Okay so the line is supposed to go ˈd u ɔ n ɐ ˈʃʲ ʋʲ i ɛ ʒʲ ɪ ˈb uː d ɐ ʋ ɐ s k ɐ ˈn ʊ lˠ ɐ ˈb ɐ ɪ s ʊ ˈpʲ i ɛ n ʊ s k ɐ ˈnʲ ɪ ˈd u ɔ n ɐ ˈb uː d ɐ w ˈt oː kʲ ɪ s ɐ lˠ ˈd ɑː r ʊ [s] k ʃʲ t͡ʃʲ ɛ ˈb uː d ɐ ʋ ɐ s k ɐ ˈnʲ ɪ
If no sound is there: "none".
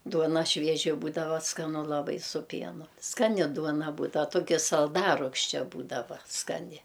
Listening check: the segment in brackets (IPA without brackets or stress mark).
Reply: none